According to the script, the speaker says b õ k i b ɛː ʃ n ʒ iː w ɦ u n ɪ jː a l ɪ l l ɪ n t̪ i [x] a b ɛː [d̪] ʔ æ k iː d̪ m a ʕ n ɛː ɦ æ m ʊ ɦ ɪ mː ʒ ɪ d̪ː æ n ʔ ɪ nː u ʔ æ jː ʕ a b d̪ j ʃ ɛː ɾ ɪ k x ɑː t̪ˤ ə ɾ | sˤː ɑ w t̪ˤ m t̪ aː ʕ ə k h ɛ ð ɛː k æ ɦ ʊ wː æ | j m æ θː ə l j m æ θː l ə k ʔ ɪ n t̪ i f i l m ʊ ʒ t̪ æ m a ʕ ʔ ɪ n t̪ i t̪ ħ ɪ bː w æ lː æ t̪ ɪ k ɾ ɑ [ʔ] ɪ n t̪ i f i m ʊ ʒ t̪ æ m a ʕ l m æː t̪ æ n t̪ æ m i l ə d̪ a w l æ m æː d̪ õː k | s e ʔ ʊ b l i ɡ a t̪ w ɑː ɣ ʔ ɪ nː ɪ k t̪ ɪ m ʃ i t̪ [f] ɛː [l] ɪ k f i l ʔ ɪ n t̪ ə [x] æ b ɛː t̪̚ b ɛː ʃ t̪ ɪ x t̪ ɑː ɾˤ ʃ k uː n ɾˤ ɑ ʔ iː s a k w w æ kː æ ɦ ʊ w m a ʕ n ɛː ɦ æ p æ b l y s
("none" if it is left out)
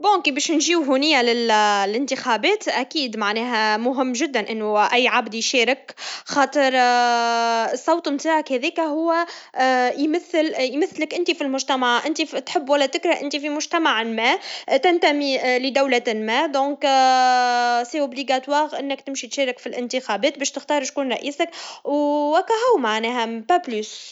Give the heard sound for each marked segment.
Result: x, t̪, ʔ, ʃ, ɾ, x

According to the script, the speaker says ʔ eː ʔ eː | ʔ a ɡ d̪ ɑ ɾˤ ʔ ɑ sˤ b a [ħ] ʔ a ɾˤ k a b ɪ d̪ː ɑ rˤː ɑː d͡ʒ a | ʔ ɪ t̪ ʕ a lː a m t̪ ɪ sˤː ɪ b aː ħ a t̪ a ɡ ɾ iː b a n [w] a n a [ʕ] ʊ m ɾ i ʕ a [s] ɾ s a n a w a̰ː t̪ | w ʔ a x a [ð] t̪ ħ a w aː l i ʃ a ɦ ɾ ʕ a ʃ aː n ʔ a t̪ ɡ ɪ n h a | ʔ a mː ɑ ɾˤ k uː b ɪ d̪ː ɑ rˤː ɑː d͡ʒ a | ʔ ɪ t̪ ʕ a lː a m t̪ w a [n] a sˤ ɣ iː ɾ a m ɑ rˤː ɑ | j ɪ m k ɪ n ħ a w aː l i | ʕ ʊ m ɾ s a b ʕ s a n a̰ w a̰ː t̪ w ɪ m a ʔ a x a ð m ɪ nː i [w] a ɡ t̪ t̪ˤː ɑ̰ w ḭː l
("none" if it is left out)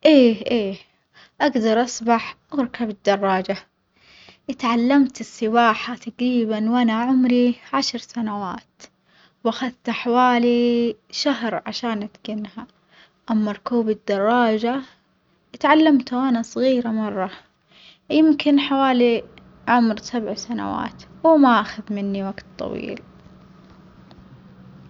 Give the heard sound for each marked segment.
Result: ħ, w, ʕ, ʃ, ð, n, w

